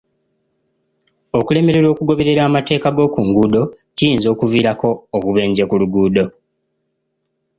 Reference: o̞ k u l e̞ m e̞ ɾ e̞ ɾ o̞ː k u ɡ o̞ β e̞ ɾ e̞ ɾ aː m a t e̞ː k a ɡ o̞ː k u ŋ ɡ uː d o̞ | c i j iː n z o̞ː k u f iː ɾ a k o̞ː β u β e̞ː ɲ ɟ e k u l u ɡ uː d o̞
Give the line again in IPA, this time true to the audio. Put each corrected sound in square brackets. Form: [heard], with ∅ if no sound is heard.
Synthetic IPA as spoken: o̞ k u l e̞ m e̞ ɾ e̞ ɾ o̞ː k u ɡ o̞ β e̞ ɾ e̞ ɾ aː m a t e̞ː k a ɡ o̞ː k u ŋ ɡ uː d o̞ | c i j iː n z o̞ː k u [v] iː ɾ a k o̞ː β u β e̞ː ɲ ɟ e k u l u ɡ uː d o̞